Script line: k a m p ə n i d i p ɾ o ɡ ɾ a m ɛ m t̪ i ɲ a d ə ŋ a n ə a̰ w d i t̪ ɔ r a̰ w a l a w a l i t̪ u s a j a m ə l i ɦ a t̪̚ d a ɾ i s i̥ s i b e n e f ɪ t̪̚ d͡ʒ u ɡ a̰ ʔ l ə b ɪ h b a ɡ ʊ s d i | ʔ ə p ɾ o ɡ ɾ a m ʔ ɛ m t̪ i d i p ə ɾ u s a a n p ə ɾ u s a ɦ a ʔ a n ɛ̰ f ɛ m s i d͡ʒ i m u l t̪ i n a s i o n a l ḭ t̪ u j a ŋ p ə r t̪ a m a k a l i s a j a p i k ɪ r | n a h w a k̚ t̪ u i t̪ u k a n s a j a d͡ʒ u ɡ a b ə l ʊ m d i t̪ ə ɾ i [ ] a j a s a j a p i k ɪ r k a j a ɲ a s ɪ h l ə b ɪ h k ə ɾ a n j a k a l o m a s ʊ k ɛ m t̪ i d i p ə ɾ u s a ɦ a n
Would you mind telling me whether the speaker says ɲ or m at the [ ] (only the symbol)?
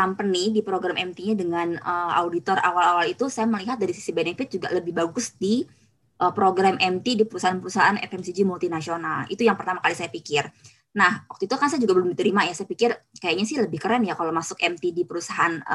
m